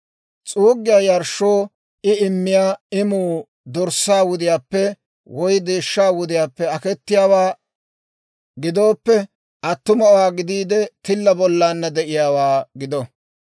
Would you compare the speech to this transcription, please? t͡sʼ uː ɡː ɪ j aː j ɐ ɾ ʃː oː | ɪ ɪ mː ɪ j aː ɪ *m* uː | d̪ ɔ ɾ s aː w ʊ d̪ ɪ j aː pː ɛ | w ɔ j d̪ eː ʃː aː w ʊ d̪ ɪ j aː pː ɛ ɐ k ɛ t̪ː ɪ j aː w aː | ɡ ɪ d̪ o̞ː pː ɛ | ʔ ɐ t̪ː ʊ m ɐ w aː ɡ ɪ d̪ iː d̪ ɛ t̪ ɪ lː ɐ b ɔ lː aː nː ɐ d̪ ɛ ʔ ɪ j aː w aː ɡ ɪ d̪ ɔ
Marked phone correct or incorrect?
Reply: correct